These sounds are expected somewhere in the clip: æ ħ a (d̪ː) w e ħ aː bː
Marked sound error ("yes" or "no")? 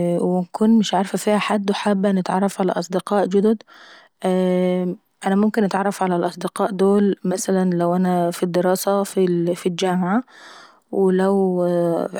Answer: no